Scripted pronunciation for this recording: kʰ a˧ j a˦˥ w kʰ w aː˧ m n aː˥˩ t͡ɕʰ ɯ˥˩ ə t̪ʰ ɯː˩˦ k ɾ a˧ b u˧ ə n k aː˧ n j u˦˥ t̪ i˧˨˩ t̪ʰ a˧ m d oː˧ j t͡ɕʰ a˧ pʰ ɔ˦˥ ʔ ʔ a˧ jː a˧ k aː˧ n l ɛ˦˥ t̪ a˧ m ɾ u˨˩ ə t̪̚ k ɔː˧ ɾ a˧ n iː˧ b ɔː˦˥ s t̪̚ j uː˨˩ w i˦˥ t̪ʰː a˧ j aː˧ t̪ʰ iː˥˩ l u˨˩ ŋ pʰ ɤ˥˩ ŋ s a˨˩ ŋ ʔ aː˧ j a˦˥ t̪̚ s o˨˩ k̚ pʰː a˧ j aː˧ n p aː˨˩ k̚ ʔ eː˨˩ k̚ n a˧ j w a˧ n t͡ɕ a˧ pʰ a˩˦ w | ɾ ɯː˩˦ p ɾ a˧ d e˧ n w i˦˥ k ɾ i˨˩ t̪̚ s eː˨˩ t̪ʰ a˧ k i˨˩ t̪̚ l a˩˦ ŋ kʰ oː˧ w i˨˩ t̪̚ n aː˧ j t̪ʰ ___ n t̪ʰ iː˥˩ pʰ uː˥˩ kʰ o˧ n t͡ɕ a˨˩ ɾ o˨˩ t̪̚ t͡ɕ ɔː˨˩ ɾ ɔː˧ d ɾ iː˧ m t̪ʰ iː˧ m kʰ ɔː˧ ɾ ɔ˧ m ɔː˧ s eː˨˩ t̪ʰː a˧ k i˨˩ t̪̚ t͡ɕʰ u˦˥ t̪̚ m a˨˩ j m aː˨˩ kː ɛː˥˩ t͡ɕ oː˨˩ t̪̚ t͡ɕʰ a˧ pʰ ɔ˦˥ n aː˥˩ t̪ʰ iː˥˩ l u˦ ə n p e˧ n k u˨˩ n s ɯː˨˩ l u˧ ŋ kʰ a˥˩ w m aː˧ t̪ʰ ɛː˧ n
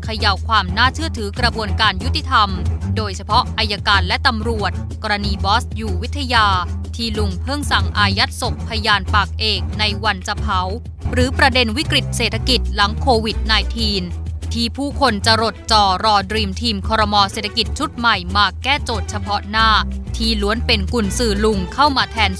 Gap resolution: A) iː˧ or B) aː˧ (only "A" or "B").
A